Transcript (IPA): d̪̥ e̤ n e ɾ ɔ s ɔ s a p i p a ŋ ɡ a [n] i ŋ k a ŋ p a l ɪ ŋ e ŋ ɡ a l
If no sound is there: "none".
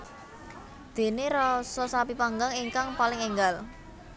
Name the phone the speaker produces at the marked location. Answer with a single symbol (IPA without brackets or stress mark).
ŋ